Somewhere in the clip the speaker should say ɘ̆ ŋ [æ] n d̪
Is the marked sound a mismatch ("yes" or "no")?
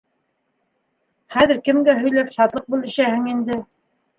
yes